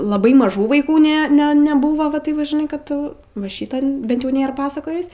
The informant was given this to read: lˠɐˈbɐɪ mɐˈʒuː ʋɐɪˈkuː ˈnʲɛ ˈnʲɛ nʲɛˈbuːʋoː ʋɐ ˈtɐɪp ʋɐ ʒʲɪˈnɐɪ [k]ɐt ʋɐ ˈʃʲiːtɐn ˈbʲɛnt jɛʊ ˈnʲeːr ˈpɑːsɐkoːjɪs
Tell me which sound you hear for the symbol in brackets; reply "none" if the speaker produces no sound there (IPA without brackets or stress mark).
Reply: k